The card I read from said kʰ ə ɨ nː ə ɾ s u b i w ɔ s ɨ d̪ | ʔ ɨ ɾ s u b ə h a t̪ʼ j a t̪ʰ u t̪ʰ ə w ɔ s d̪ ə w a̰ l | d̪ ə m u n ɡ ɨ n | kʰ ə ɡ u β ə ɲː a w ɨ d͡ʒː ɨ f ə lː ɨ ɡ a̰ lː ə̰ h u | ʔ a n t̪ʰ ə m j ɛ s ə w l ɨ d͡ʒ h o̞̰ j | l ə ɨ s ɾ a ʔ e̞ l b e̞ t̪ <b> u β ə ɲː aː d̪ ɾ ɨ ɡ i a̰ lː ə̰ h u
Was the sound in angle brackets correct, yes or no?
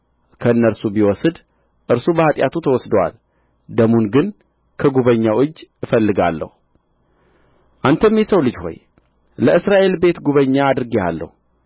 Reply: no